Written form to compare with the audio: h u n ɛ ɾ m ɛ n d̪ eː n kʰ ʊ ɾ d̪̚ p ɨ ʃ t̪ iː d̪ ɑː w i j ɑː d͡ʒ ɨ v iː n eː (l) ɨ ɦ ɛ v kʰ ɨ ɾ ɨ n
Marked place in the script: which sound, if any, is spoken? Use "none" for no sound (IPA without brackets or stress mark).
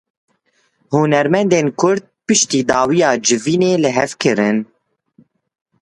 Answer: l